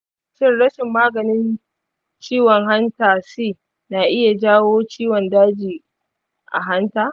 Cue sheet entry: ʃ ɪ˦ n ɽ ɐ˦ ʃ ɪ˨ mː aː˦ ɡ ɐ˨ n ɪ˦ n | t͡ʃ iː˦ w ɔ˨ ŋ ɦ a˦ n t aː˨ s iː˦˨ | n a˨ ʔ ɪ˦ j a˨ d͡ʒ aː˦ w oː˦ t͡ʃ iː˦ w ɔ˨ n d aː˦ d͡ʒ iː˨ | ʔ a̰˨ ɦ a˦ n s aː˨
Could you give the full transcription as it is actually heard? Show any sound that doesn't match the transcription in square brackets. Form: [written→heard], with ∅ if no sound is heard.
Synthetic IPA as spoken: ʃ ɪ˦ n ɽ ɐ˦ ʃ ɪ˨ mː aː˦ ɡ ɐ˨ n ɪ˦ n | t͡ʃ iː˦ w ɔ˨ ŋ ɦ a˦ n t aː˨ s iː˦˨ | n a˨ ʔ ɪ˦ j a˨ d͡ʒ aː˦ w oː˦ t͡ʃ iː˦ w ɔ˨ n d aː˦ d͡ʒ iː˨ | ʔ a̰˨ ɦ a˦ n [s→t] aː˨